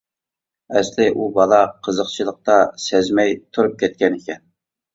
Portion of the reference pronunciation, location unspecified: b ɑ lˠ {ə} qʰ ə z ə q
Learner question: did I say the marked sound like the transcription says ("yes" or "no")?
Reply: no